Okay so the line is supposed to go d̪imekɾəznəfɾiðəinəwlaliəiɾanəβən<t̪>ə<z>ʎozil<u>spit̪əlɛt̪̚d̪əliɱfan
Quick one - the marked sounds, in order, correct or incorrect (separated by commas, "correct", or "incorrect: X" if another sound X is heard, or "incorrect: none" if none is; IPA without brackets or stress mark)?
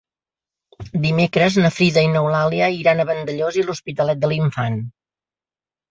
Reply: incorrect: d̪, incorrect: none, correct